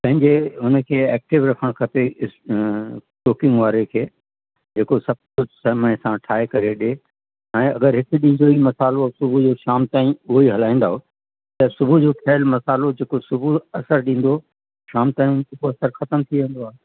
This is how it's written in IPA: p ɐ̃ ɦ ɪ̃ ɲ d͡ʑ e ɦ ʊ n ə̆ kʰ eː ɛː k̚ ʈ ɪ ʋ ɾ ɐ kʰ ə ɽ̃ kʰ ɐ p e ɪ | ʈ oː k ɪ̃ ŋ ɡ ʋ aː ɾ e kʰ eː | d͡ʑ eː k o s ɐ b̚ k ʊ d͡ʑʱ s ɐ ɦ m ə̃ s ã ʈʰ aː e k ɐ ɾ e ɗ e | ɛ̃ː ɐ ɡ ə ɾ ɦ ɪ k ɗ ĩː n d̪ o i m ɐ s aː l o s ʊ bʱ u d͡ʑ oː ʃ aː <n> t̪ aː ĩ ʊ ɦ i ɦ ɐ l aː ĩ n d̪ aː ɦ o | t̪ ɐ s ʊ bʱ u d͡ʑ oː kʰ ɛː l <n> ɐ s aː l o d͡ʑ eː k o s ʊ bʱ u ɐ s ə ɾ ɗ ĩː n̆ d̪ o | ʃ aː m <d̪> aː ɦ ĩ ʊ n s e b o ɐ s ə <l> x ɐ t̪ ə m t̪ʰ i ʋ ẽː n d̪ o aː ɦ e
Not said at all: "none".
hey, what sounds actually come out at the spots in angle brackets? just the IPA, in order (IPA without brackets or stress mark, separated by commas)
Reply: m, m, t̪, ɾ